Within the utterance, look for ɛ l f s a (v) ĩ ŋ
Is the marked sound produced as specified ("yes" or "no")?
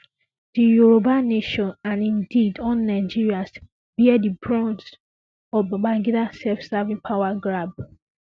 yes